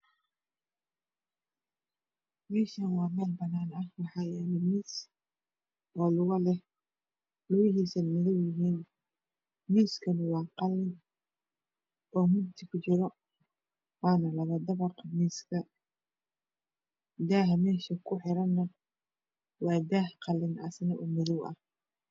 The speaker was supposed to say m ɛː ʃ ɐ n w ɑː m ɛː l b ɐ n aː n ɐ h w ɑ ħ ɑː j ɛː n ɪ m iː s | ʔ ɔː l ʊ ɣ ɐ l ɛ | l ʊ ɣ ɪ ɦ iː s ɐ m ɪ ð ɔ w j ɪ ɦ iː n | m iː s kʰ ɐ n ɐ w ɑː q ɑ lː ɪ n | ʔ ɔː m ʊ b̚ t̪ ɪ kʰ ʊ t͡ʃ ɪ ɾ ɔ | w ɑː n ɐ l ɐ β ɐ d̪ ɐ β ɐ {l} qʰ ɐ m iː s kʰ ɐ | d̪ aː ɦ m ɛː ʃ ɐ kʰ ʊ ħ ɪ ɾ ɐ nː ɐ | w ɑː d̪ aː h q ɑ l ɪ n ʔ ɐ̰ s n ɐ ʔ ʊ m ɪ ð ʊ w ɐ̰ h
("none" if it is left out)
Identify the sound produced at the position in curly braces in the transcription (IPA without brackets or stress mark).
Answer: r